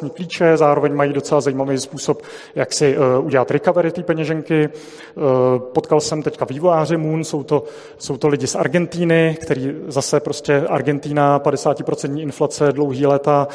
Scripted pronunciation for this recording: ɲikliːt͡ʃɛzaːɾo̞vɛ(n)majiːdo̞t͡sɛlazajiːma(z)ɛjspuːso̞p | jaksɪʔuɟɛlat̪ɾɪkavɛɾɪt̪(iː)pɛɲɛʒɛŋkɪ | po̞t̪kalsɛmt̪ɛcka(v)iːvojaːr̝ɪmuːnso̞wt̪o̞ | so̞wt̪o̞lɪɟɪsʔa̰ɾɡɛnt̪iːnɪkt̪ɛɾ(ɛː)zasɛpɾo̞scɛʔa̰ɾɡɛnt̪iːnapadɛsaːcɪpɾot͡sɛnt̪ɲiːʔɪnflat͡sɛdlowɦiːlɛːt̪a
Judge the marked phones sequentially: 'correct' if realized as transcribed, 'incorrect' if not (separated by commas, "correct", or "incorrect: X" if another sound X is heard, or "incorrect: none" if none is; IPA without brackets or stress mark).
incorrect: ɲ, incorrect: v, correct, correct, incorrect: iː